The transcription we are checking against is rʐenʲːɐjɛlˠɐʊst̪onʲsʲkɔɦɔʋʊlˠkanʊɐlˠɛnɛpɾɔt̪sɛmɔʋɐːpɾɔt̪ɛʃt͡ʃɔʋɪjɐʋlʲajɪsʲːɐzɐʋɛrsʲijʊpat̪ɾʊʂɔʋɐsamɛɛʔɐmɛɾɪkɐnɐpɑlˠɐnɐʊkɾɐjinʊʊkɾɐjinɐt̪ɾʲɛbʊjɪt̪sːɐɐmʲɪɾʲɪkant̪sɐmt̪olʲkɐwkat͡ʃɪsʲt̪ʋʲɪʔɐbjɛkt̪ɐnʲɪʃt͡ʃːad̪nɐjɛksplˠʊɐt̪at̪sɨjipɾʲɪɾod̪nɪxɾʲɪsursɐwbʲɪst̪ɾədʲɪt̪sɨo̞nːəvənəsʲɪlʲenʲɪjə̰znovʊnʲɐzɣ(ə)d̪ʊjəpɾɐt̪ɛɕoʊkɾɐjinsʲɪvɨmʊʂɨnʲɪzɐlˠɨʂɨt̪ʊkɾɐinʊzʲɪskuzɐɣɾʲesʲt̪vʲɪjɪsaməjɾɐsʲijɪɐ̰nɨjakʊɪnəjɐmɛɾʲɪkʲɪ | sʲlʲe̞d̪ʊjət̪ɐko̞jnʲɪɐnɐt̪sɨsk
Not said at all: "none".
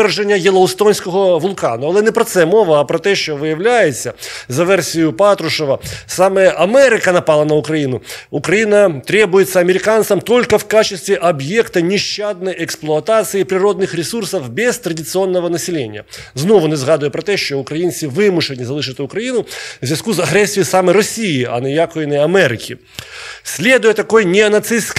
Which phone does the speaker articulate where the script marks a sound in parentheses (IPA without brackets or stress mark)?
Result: a